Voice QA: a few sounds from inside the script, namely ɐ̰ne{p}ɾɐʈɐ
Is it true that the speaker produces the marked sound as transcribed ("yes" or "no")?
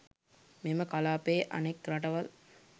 no